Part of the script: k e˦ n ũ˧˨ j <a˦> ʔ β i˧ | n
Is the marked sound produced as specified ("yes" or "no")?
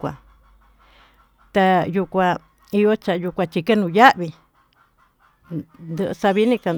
yes